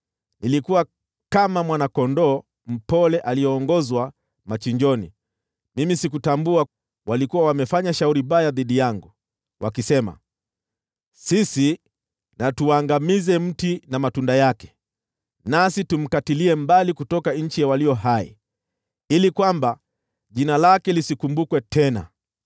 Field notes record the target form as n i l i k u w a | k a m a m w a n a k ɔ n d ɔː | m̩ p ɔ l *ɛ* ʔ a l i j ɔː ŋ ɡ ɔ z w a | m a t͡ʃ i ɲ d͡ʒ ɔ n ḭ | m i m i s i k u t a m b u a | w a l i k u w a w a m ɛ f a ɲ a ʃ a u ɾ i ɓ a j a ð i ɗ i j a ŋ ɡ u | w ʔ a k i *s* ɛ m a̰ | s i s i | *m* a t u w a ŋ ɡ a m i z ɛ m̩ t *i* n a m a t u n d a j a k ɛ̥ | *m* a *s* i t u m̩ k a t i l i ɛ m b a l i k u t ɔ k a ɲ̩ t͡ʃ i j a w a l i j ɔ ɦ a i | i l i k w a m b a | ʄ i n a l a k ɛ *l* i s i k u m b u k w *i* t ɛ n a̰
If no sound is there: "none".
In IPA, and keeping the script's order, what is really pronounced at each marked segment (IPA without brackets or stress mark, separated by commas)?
ɛ, s, n, i, n, s, l, ɛ